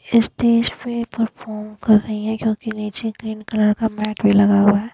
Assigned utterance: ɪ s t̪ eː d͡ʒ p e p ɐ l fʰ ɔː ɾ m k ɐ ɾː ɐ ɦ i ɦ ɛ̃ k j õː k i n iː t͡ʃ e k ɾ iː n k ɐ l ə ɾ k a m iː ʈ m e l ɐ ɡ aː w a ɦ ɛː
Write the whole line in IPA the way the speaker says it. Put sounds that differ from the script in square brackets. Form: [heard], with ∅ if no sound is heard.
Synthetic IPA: ɪ s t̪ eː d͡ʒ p e p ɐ [ɾ] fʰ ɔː ɾ m k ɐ ɾː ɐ ɦ i ɦ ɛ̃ k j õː k i n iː t͡ʃ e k ɾ iː n k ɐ l ə ɾ k a m [ɛː] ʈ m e l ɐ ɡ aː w a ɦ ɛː